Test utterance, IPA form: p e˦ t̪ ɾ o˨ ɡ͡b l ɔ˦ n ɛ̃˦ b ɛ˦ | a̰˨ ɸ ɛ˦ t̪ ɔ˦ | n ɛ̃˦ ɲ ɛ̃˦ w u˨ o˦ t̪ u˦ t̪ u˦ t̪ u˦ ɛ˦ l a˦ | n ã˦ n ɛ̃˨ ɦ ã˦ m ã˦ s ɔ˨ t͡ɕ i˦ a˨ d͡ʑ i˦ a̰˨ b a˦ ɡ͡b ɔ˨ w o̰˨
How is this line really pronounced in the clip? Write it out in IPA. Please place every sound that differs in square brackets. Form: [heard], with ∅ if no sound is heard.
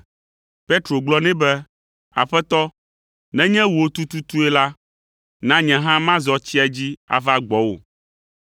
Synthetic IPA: p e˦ t̪ ɾ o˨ ɡ͡b l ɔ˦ n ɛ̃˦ b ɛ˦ | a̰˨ ɸ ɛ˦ t̪ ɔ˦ | n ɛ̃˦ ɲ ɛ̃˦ w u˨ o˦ t̪ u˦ t̪ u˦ t̪ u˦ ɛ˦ l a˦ | n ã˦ [ɲ] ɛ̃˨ ɦ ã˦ m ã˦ [z] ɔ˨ t͡ɕ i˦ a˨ d͡ʑ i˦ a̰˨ [v] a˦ ɡ͡b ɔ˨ w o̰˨